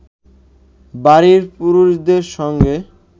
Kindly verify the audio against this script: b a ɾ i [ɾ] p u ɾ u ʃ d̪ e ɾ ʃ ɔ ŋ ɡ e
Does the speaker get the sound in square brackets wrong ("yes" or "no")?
no